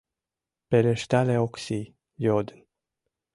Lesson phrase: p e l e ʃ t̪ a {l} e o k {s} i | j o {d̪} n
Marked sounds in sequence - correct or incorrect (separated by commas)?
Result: correct, correct, correct